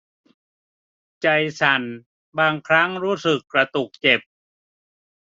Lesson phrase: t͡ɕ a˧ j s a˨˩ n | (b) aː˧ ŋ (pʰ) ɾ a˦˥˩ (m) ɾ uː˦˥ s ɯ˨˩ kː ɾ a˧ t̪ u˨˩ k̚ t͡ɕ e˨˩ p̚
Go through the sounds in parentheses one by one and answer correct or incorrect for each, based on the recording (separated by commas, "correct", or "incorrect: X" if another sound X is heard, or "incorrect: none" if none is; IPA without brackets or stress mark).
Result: correct, incorrect: kʰ, incorrect: ŋ